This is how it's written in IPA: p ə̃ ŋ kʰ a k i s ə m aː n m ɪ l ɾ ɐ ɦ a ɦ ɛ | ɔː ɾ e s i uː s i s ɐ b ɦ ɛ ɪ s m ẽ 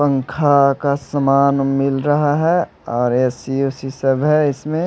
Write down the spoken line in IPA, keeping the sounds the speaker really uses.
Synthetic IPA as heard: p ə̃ ŋ kʰ a k a s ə m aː n m ɪ l ɾ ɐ ɦ a ɦ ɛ | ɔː ɾ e s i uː s i s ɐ b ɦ ɛ ɪ s m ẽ